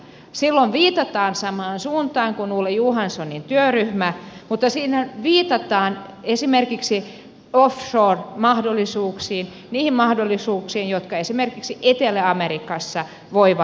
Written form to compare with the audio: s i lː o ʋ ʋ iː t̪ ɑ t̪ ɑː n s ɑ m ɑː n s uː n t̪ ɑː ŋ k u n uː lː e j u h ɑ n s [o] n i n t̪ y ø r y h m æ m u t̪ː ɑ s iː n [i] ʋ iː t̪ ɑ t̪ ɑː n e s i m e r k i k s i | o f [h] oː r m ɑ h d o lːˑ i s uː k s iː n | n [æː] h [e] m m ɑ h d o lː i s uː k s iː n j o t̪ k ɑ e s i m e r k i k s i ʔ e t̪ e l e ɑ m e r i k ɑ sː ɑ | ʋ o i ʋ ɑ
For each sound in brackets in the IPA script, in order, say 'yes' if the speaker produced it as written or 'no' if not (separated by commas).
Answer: yes, no, no, no, no